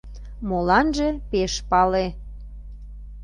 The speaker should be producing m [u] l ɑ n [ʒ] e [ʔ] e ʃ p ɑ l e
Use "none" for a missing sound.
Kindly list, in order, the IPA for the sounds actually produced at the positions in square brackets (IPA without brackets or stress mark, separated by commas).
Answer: o, ʒ, p